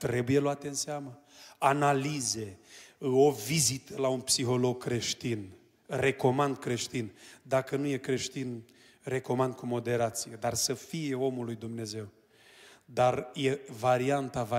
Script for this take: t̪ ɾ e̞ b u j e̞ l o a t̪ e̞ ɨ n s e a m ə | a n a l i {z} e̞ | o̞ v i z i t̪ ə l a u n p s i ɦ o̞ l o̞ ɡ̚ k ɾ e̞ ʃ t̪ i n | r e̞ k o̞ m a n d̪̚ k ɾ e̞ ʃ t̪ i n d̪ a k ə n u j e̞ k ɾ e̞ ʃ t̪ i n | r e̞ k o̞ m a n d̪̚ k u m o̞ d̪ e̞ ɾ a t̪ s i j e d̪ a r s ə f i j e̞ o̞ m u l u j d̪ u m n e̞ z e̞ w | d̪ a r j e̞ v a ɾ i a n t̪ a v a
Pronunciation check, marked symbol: correct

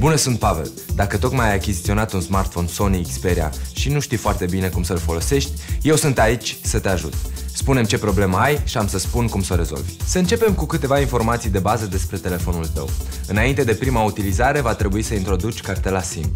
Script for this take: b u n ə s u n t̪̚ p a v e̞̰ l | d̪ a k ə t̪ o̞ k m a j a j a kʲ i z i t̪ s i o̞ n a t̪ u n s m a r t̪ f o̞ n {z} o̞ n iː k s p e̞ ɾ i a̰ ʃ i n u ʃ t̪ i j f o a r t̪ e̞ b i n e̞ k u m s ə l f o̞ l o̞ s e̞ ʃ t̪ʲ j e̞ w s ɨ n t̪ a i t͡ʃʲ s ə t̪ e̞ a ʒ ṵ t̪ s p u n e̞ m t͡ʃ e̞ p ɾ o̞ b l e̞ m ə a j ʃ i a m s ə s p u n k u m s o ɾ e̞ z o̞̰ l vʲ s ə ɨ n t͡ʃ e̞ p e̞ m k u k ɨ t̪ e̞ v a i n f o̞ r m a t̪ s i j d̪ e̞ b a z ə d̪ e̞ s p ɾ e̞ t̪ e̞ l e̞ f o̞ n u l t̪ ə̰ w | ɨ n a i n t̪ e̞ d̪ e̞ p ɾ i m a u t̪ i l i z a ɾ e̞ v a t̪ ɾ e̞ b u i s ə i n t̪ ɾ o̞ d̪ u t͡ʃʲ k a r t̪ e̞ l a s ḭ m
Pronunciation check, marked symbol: incorrect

